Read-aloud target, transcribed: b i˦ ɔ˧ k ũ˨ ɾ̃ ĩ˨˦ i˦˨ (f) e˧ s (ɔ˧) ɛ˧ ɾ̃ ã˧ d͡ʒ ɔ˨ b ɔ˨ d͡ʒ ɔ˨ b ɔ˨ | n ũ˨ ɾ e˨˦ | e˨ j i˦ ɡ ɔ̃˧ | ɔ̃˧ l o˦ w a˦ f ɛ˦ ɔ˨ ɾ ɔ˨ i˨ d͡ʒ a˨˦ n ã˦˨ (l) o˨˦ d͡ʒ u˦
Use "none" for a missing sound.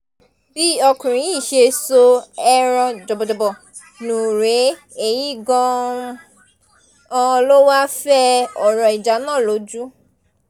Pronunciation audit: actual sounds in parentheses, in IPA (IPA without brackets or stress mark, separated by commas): ʃ, o˧, l